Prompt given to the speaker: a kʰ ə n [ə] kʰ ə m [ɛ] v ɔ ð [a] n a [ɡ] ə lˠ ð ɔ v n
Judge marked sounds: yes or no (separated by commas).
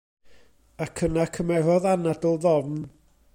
no, yes, yes, no